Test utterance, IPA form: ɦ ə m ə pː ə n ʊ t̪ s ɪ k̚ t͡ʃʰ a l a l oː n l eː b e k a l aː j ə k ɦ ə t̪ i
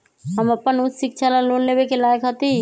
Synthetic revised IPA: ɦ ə m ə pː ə n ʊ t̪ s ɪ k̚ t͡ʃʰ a l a l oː n l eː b e k e l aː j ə k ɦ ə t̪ i

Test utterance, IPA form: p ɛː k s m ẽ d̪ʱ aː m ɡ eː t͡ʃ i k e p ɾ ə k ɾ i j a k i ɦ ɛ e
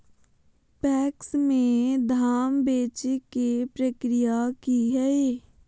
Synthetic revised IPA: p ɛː k s m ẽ d̪ʱ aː m b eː t͡ʃ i k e p ɾ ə k ɾ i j a k i ɦ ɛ e

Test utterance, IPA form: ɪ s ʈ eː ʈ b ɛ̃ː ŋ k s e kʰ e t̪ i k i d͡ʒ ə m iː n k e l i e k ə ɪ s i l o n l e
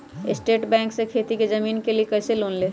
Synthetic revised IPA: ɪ s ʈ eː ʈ b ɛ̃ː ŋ k s e kʰ e t̪ i k e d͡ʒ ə m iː n k e l i e k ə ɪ s e l o n l e

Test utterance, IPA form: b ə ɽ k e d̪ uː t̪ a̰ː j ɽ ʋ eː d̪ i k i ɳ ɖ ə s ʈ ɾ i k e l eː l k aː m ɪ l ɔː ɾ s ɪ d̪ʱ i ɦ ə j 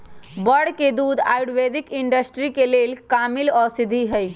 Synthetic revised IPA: b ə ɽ k e d̪ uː d̪ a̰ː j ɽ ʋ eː d̪ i k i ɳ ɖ ə s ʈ ɾ i k e l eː l k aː m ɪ l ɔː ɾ s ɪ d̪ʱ i ɦ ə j

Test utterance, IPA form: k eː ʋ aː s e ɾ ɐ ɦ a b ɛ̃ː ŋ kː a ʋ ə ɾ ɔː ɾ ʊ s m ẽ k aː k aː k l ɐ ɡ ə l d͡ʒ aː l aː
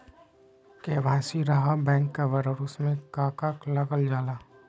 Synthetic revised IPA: k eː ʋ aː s i ɾ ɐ ɦ a b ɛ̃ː ŋ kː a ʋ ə ɾ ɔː ɾ ʊ s m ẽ k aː k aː k l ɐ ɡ ə l d͡ʒ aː l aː

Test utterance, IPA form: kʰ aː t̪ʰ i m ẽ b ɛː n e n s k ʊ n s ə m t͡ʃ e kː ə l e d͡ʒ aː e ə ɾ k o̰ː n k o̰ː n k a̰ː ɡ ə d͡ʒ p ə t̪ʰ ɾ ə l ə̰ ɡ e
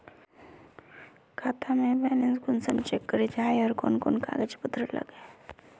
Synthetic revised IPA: kʰ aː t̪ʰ a m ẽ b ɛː n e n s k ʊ n s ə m t͡ʃ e kː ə ɾ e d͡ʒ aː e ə ɾ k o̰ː n k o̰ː n k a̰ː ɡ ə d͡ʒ p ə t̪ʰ ɾ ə l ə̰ ɡ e

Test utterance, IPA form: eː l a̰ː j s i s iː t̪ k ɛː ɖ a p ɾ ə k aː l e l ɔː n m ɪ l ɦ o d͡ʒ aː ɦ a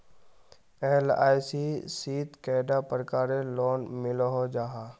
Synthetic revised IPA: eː l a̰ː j s i s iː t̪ k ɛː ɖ a p ɾ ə k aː ɾ e l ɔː n m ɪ l ɦ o d͡ʒ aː ɦ a

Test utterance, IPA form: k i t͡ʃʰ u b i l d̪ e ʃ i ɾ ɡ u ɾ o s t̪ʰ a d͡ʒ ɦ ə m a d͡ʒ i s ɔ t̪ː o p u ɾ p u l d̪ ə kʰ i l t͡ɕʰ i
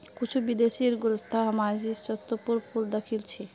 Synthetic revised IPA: k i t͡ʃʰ u b i d̪ e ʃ i ɾ ɡ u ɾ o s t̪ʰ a ɦ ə m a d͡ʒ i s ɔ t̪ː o p u ɾ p u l d̪ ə kʰ i l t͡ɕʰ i

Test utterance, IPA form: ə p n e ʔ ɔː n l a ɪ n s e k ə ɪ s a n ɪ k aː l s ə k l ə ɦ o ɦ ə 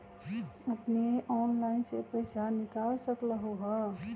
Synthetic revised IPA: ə p n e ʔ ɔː n l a ɪ n s e p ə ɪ s a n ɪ k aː l s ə k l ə ɦ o ɦ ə

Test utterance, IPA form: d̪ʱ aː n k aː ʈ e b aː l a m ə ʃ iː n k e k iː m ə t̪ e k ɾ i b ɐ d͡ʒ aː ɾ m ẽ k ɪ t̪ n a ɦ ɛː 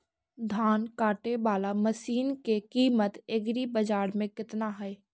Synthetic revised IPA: d̪ʱ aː n k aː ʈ e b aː l a m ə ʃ iː n k e k iː m ə t̪ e ɡ ɾ i b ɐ d͡ʒ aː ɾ m ẽ k ɪ t̪ n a ɦ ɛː

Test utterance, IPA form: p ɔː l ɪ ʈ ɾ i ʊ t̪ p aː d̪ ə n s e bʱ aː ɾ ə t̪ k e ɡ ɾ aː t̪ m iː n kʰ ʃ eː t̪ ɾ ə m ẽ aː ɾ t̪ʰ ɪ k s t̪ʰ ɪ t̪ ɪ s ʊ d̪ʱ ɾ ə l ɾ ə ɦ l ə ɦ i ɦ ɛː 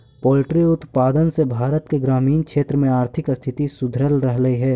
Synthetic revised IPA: p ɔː l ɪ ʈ ɾ i ʊ t̪ p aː d̪ ə n s e bʱ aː ɾ ə t̪ k e ɡ ɾ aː m iː n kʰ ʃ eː t̪ ɾ ə m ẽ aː ɾ t̪ʰ ɪ k s t̪ʰ ɪ t̪ i s ʊ d̪ʱ ɾ ə l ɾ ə ɦ l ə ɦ i ɦ ɛː

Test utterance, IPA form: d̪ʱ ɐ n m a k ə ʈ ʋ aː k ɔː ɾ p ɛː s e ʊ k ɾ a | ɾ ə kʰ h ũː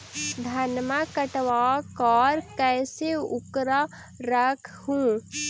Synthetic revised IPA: d̪ʱ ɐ n m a k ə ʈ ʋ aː k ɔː ɾ k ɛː s e ʊ k ɾ a | ɾ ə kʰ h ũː

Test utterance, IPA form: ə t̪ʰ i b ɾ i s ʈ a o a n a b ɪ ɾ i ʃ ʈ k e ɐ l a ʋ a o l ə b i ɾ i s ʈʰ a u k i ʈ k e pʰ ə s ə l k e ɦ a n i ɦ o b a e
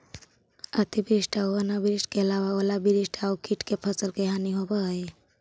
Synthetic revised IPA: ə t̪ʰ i b ɾ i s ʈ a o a n a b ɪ ɾ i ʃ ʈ k e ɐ l a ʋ a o l a b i ɾ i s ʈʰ a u k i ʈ k e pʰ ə s ə l k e ɦ a n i ɦ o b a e

